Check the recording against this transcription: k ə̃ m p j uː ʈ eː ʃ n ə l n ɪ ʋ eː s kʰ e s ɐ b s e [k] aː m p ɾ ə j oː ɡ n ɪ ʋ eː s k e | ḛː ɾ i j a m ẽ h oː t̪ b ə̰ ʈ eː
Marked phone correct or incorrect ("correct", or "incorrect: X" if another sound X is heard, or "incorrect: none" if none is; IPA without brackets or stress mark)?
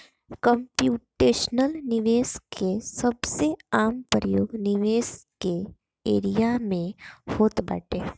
incorrect: none